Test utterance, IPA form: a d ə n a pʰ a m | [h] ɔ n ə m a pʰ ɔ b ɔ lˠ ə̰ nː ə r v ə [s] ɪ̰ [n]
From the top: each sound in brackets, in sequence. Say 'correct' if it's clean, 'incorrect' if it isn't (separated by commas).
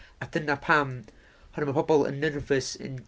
correct, correct, correct